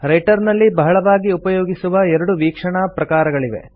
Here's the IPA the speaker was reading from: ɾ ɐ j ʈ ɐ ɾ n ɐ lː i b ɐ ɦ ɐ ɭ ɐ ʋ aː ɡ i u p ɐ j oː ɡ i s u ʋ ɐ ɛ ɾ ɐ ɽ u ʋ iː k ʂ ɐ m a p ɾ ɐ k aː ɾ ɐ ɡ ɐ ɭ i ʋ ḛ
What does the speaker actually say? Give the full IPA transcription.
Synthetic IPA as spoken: ɾ ɐ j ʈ ɐ ɾ n ɐ lː i b ɐ ɦ ɐ ɭ ɐ ʋ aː ɡ i u p ɐ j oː ɡ i s u ʋ ɐ ɛ ɾ ɐ ɽ u ʋ iː k ʂ ɐ ɳ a p ɾ ɐ k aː ɾ ɐ ɡ ɐ ɭ i ʋ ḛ